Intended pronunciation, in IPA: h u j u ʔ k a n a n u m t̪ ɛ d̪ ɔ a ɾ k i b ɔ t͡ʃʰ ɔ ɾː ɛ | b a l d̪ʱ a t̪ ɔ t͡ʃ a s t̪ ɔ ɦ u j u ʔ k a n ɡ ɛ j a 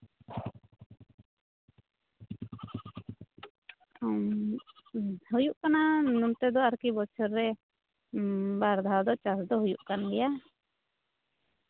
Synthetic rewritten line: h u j u ʔ k a n a n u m t̪ ɛ d̪ ɔ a ɾ k i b ɔ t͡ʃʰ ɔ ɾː ɛ | b a ɾ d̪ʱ a d̪ ɔ t͡ʃ a s d̪ ɔ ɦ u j u ʔ k a n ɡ ɛ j a

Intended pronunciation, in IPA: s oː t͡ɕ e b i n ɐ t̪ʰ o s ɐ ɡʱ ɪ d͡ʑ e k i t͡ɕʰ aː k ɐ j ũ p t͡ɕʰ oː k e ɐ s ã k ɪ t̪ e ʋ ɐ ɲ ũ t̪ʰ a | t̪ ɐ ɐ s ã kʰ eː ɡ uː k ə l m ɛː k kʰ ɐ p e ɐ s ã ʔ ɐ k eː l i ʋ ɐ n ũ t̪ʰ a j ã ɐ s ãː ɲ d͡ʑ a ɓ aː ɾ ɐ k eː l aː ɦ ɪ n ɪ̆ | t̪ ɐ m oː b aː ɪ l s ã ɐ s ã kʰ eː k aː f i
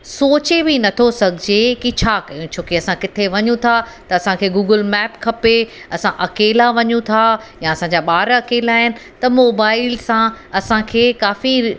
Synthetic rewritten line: s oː t͡ɕ e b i n ɐ t̪ʰ o s ɐ ɡʱ ɪ d͡ʑ e k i t͡ɕʰ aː k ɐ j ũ t͡ɕʰ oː k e ɐ s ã k ɪ t̪ʰ e ʋ ɐ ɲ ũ t̪ʰ a | t̪ ɐ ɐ s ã kʰ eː ɡ uː ɡ ə l m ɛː p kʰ ɐ p e ɐ s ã ʔ ɐ k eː l a ʋ ɐ ɲ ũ t̪ʰ a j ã ɐ s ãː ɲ d͡ʑ a ɓ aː ɾ ɐ k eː l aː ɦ ɪ n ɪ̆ | t̪ ɐ m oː b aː ɪ l s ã ɐ s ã kʰ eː k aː f i

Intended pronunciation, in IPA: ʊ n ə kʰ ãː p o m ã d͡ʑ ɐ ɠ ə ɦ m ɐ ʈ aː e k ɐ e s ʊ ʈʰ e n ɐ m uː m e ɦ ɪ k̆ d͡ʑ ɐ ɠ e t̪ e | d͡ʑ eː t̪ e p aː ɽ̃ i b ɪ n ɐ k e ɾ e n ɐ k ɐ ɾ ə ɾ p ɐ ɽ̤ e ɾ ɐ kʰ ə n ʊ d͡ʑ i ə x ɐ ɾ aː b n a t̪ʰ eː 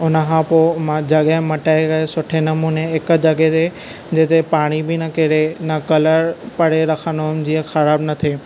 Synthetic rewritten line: ʊ n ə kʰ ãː p o m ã d͡ʑ ɐ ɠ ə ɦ m ɐ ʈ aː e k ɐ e s ʊ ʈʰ e n ɐ m uː n e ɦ ɪ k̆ d͡ʑ ɐ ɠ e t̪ e | d͡ʑ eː t̪ e p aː ɽ̃ i b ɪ n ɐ k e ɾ e n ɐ k ɐ l ə ɾ p ɐ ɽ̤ e ɾ ɐ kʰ ə n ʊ d͡ʑ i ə x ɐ ɾ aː b n ɐ t̪ʰ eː

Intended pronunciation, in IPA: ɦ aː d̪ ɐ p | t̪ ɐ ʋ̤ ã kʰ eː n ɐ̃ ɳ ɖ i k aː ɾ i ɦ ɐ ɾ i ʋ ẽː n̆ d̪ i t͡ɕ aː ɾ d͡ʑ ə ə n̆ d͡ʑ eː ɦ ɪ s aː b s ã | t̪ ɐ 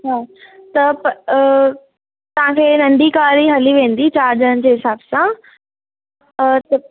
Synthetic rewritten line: ɦ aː t̪ ɐ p | t̪ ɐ ʋ̤ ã kʰ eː n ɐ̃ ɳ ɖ i k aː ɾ i ɦ ɐ l i ʋ ẽː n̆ d̪ i t͡ɕ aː ɾ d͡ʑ ə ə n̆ d͡ʑ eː ɦ ɪ s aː b s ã | t̪ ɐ

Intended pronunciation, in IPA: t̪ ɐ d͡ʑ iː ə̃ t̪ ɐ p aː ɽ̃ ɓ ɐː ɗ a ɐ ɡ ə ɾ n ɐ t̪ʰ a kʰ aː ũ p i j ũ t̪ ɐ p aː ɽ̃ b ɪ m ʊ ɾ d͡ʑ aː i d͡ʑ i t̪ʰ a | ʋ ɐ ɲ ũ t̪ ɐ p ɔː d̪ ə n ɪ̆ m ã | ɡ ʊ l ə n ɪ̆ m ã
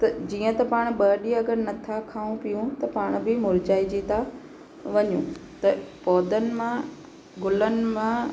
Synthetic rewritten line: t̪ ɐ d͡ʑ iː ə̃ t̪ ɐ p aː ɽ̃ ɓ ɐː ɗ i ɐ ɡ ə ɾ n ɐ t̪ʰ a kʰ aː ũ p i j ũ t̪ ɐ p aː ɽ̃ b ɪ m ʊ ɾ d͡ʑ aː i d͡ʑ i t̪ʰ a | ʋ ɐ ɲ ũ t̪ ɐ p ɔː d̪ ə n ɪ̆ m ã | ɡ ʊ l ə n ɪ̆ m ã

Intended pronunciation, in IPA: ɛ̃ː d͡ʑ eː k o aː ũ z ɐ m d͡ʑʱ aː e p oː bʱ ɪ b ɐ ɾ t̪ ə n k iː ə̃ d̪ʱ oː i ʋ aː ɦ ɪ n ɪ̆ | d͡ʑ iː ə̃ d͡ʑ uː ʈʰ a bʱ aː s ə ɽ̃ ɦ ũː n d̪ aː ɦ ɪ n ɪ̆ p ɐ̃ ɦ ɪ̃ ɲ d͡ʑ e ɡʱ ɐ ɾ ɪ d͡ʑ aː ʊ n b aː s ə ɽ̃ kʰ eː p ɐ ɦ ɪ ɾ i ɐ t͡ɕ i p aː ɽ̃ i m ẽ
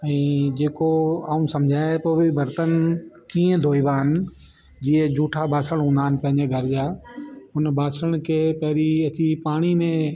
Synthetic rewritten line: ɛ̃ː d͡ʑ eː k o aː ũ s ɐ m d͡ʑʱ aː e p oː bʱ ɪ b ɐ ɾ t̪ ə n k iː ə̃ d̪ʱ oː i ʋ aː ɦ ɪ n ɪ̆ | d͡ʑ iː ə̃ d͡ʑ uː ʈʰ a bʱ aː s ə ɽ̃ ɦ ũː n d̪ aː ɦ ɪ n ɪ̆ p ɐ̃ ɦ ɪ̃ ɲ d͡ʑ e ɡʱ ɐ ɾ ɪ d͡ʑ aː ʊ n b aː s ə ɽ̃ kʰ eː p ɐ ɦ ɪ ɾ i ɐ t͡ɕ i p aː ɽ̃ i m ẽ

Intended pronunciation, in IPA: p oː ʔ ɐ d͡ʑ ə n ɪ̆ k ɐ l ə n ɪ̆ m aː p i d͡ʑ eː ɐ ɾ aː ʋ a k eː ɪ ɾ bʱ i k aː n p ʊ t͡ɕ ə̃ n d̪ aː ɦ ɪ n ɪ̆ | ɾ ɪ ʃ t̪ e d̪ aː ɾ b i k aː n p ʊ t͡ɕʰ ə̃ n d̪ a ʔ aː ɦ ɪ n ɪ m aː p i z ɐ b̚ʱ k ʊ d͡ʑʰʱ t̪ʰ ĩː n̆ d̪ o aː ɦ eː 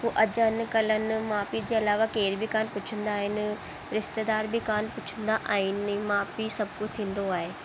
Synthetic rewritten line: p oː ʔ ɐ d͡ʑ ə n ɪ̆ k ɐ l ə n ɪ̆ m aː p i d͡ʑ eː ɐ l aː ʋ a k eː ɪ ɾ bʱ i k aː n p ʊ t͡ɕʰ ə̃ n d̪ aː ɦ ɪ n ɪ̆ | ɾ ɪ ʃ t̪ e d̪ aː ɾ b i k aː n p ʊ t͡ɕʰ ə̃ n d̪ a ʔ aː ɦ ɪ n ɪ m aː p i s ɐ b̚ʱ k ʊ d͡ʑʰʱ t̪ʰ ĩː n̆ d̪ o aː ɦ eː

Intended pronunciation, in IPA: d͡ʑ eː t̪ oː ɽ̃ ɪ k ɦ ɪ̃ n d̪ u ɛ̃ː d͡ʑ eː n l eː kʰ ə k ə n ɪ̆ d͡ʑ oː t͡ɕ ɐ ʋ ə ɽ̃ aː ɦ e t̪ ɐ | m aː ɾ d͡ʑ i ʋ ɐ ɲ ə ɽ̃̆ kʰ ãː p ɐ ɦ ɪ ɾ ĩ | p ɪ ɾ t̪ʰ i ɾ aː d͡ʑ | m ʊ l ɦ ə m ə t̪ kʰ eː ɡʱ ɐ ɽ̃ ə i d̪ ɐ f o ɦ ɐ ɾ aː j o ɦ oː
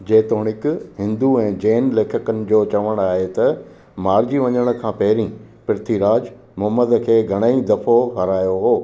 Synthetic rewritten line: d͡ʑ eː t̪ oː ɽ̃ ɪ k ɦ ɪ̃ n d̪ u ɛ̃ː d͡ʑ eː n l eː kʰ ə k ə n ɪ̆ d͡ʑ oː t͡ɕ ɐ ʋ ə ɽ̃ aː ɦ e t̪ ɐ | m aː ɾ d͡ʑ i ʋ ɐ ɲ ə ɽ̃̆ kʰ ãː p ɐ ɦ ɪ ɾ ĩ | p ɪ ɾ t̪ʰ i ɾ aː d͡ʑ | m ʊ ɦ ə m ə d̪ kʰ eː ɡʱ ɐ ɽ̃ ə i d̪ ɐ f o ɦ ɐ ɾ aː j o ɦ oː

